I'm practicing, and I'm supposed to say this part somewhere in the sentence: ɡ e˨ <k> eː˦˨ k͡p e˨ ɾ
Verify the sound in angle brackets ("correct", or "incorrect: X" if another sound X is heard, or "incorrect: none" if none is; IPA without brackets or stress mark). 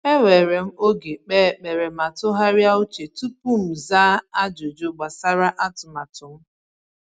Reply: incorrect: k͡p